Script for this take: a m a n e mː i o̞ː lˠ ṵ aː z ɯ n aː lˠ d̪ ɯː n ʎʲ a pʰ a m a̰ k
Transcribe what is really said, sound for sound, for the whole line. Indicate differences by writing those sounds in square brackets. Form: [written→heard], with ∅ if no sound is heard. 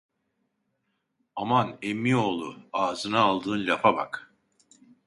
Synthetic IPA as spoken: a m a n e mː i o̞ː lˠ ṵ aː z ɯ n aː lˠ d̪ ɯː n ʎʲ a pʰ a [m→b] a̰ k